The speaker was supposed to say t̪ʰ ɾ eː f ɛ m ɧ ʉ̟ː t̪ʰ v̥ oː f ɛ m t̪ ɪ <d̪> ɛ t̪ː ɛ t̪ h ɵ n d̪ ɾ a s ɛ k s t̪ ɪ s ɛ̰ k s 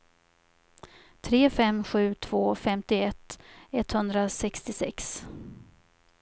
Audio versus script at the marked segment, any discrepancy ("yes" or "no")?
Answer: yes